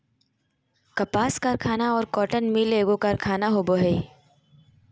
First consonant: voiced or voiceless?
voiceless